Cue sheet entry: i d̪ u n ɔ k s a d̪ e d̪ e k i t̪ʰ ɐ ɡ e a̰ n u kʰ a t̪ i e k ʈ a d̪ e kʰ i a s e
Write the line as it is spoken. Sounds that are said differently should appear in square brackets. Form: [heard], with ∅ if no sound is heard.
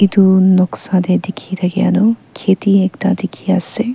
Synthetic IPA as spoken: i d̪ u n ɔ k s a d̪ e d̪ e [kʰ] i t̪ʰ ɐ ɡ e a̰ n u kʰ [e] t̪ i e k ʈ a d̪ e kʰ i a s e